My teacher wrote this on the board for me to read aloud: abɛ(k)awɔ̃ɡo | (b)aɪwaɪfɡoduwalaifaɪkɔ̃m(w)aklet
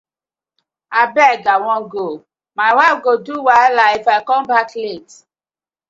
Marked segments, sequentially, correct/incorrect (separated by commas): incorrect, incorrect, incorrect